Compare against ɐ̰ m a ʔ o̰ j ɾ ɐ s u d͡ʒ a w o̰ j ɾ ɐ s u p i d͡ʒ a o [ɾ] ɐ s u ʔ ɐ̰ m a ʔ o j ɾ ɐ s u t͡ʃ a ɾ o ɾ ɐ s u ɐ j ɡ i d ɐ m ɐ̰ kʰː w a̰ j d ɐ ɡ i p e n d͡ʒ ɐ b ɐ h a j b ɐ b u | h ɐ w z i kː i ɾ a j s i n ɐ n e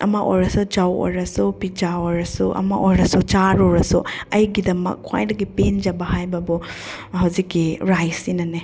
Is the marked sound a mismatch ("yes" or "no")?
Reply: no